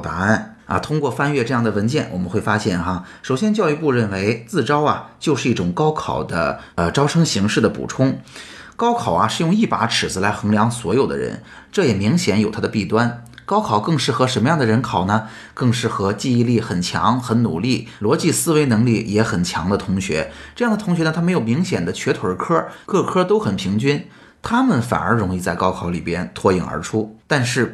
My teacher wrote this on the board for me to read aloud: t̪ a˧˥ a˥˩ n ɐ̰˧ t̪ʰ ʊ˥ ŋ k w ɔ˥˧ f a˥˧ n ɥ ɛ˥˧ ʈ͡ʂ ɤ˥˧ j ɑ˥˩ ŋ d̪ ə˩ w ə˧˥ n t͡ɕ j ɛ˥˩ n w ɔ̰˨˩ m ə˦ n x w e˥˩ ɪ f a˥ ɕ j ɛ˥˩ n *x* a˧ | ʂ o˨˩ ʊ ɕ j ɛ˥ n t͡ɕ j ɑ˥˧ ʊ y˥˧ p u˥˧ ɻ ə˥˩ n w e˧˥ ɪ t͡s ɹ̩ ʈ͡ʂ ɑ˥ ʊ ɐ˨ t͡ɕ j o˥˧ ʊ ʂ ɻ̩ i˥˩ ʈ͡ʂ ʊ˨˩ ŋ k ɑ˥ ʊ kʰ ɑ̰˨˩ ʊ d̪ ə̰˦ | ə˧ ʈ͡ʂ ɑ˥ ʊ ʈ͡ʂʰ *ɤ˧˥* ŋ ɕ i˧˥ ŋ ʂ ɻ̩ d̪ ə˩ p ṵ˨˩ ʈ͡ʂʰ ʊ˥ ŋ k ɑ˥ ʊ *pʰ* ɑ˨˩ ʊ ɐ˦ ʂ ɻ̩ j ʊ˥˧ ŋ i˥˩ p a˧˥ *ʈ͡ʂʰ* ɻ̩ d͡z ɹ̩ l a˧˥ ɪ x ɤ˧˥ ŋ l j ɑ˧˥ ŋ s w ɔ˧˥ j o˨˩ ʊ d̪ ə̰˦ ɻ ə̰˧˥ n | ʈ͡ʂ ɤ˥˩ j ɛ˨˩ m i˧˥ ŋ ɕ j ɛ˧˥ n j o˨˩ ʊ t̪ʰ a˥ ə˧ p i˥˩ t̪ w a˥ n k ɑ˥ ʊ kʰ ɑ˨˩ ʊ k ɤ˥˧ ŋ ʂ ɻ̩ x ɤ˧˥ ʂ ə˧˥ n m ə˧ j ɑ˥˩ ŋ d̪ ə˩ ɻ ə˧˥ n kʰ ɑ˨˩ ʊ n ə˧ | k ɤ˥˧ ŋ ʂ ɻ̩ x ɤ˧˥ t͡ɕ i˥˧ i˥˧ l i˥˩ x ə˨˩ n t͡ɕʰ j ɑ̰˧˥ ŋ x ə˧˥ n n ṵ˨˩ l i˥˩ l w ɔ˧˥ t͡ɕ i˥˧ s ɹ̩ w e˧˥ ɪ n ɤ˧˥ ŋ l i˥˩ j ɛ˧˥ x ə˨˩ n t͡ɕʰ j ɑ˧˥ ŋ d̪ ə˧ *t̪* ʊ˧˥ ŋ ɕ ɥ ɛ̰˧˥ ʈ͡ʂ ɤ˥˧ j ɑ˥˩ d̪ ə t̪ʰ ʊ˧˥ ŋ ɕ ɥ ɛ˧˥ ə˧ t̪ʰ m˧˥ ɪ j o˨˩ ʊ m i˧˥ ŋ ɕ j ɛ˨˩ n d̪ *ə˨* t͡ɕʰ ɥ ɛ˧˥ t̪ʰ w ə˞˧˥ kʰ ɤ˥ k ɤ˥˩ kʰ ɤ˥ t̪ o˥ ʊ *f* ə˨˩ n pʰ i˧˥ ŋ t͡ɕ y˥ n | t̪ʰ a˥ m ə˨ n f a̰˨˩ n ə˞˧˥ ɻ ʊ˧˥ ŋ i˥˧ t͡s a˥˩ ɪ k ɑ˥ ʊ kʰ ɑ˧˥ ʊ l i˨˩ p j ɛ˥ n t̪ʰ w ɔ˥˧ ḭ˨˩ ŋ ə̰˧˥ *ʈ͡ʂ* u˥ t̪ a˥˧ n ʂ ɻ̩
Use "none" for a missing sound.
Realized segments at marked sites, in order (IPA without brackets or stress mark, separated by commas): x, ɤ˥, kʰ, ʈ͡ʂʰ, t̪ʰ, ə˦, x, ʈ͡ʂʰ